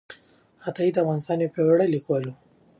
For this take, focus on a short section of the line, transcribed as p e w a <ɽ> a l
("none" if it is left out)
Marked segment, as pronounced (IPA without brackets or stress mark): ɽ